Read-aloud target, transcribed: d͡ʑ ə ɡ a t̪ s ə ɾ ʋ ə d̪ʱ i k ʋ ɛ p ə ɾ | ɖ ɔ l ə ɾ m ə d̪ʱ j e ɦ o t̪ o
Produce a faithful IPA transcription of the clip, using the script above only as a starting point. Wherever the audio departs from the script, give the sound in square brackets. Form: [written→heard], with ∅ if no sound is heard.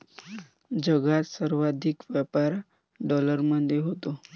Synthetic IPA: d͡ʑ ə ɡ a t̪ s ə ɾ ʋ [ə→a] d̪ʱ i k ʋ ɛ p [ə→a] ɾ | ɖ ɔ l ə ɾ m ə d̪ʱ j e ɦ o t̪ o